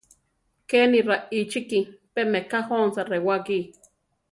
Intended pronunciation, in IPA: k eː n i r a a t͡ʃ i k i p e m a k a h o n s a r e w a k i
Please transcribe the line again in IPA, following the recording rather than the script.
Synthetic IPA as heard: k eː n i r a i t͡ʃ i k i p e m e k a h o n s a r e w a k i